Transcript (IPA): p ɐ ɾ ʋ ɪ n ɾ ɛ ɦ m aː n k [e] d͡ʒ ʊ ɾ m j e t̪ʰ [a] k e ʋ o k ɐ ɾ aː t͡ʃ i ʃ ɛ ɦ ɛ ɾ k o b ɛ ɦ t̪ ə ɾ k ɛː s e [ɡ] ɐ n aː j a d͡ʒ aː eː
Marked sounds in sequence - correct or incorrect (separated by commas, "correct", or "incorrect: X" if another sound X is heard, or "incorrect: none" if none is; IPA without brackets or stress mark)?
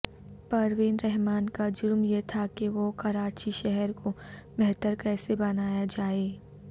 incorrect: a, correct, incorrect: b